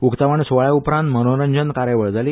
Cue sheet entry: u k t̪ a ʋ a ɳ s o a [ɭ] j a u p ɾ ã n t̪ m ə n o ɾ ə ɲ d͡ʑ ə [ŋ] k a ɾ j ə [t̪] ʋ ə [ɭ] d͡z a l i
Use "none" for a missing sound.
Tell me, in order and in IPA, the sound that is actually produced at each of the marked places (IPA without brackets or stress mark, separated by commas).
ɭ, n, none, ɭ